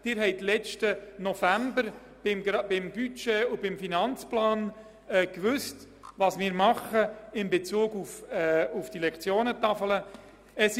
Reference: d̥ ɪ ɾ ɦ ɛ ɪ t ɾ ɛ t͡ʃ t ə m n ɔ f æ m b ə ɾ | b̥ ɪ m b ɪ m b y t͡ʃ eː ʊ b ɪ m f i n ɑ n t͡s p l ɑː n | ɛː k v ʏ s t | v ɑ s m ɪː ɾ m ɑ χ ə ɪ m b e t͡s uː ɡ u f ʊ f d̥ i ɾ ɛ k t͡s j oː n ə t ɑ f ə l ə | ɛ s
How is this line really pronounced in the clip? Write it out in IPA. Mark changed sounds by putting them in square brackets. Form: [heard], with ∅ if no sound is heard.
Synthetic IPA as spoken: d̥ ɪ ɾ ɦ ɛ ɪ t [l] ɛ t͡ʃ t ə [∅] n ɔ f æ m b ə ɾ | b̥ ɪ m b ɪ m b y t͡ʃ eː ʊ b ɪ m f i n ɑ n t͡s p l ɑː n | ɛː k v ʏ s t | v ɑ s m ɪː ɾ m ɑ χ ə ɪ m b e t͡s uː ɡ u f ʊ f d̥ i [l] ɛ k t͡s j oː n ə t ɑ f ə l ə | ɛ s